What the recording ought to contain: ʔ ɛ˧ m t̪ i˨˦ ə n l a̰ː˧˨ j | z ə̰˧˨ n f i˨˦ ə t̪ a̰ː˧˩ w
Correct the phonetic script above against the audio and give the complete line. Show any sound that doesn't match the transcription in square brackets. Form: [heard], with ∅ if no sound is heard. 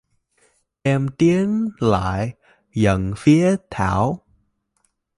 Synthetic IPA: ʔ ɛ˧ m t̪ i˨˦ ə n l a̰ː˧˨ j | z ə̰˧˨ n f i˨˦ ə [t̪ʰ] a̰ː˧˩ w

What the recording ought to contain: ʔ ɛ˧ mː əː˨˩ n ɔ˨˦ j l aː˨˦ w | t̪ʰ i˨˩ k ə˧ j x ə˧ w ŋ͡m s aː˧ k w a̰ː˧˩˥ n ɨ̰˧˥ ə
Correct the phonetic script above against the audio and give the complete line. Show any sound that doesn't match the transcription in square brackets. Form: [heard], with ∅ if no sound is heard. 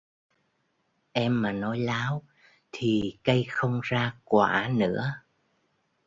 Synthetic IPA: ʔ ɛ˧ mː [aː˨˩] n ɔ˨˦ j l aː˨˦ w | t̪ʰ i˨˩ k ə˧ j x ə˧ w ŋ͡m [z] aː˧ k w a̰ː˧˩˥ n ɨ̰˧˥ ə

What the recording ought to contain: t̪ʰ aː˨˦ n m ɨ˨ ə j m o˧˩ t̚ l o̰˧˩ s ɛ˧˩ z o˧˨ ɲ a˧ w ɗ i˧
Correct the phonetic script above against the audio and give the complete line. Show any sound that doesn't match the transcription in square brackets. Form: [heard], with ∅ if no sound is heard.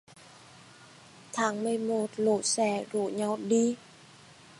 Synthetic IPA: t̪ʰ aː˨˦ [ŋ] m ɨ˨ ə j m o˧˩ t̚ l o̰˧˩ s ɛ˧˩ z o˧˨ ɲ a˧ w ɗ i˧

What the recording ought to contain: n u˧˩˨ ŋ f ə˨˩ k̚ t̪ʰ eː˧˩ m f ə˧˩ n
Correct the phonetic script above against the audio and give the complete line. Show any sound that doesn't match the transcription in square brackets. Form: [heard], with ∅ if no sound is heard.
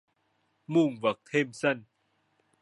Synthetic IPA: [m] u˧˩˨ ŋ [v] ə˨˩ k̚ t̪ʰ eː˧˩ m [s] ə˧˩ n

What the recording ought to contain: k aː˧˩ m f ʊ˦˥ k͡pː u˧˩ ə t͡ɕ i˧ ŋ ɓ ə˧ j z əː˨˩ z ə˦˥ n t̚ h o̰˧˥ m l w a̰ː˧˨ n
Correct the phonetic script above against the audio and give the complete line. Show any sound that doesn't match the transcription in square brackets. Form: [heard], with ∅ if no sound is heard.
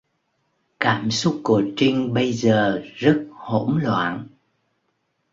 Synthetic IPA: k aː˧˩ m [s] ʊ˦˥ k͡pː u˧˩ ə t͡ɕ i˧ ŋ ɓ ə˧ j z əː˨˩ z ə˦˥ [∅] t̚ h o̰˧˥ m l w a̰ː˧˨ n

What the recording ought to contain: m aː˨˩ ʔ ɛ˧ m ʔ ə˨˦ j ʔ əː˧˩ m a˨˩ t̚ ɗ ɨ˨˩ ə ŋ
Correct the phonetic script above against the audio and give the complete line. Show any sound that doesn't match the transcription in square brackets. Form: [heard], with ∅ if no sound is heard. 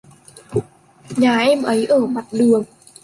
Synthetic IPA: [ɲ] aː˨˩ ʔ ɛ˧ m ʔ ə˨˦ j ʔ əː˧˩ m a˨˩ t̚ ɗ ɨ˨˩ ə ŋ

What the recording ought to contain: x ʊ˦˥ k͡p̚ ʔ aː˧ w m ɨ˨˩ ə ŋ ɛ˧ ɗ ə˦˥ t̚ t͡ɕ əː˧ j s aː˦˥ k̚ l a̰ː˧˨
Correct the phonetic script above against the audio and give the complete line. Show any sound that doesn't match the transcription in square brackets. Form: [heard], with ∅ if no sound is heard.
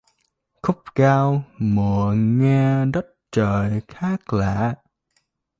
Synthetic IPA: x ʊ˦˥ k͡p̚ [k] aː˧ w m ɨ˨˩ ə ŋ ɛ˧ ɗ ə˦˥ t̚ t͡ɕ [əː˨˩] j [x] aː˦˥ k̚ l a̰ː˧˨

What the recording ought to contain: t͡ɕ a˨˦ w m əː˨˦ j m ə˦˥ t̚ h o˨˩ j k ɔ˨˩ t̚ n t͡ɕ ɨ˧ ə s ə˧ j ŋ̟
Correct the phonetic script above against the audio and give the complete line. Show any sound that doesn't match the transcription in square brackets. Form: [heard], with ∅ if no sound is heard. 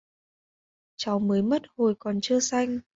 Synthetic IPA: t͡ɕ a˨˦ w m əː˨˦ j m ə˦˥ t̚ h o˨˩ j k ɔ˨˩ [∅] n t͡ɕ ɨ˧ ə s [a˧] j ŋ̟

